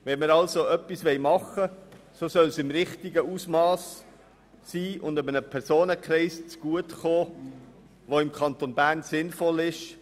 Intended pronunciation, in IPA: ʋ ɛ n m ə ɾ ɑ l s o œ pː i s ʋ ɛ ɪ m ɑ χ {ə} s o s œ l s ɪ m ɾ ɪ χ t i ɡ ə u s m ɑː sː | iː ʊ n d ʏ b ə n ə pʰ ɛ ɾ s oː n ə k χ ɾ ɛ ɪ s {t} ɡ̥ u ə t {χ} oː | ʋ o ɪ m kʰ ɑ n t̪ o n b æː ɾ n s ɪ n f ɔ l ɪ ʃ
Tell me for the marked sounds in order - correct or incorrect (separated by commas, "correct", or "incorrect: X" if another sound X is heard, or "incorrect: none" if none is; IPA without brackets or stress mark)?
correct, incorrect: t͡s, correct